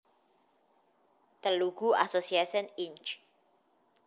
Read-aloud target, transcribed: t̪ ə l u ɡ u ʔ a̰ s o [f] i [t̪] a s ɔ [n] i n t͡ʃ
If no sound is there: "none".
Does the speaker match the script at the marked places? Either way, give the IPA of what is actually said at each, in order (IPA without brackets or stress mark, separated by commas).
s, none, n